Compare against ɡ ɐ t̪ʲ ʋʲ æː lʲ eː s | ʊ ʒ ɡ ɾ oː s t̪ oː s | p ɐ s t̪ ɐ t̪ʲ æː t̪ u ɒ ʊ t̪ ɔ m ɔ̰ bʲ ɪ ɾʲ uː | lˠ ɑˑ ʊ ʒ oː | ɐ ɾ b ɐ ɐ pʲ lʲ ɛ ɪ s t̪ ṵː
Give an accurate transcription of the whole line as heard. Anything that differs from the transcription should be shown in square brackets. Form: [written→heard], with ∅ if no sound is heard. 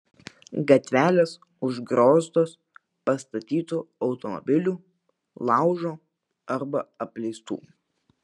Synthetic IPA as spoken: ɡ ɐ t̪ʲ ʋʲ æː lʲ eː s | ʊ ʒ ɡ ɾ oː s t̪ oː s | p ɐ s t̪ ɐ t̪ʲ [æː→iː] t̪ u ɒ ʊ t̪ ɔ m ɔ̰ bʲ ɪ [ɾʲ→lʲ] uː | lˠ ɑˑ ʊ ʒ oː | ɐ ɾ b ɐ ɐ pʲ lʲ ɛ ɪ s t̪ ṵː